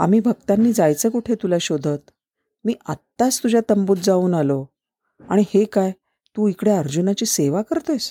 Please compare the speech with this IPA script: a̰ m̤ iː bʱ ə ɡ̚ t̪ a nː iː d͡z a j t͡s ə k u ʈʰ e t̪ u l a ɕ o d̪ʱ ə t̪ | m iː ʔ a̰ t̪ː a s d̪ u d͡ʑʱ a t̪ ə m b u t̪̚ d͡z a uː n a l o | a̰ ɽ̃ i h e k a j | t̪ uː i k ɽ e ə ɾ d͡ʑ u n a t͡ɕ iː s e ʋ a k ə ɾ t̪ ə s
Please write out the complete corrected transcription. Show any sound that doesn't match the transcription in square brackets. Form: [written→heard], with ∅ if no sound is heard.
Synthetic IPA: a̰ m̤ iː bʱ ə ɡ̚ t̪ a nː iː d͡z a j t͡s ə k u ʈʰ e t̪ u l a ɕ o d̪ʱ ə t̪ | m iː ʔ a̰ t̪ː a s [d̪→t̪] u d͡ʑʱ a t̪ ə m b u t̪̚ d͡z a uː n a l o | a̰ ɽ̃ i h e k a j | t̪ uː i k ɽ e ə ɾ d͡ʑ u n a t͡ɕ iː s e ʋ a k ə ɾ t̪ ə s